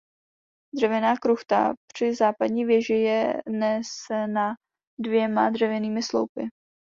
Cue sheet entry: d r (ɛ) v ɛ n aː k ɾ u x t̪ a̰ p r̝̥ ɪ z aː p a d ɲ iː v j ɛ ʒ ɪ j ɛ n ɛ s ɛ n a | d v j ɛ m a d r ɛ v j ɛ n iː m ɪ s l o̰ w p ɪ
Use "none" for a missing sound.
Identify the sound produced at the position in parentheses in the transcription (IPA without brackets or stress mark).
ɛ